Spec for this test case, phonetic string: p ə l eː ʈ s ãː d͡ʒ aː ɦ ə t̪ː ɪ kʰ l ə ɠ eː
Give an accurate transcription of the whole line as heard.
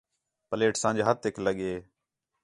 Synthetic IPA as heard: p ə l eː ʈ s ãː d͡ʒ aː ɦ ə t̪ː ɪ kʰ l ə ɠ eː